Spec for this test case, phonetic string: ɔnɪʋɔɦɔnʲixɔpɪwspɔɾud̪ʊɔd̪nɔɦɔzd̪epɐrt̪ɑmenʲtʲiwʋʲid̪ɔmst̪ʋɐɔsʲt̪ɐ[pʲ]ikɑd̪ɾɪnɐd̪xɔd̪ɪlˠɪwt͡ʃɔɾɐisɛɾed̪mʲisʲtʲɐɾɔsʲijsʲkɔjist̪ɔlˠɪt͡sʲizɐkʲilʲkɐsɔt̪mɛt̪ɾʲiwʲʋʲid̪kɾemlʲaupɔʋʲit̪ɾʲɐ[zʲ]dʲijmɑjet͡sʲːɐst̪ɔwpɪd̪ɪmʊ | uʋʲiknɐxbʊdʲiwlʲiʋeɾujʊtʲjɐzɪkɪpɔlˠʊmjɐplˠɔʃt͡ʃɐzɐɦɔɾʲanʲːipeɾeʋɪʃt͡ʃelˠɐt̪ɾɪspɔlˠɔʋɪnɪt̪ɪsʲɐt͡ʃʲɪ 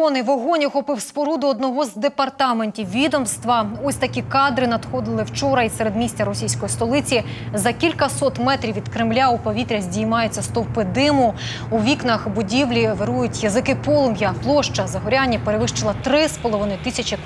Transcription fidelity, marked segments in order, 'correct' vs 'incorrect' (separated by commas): incorrect, correct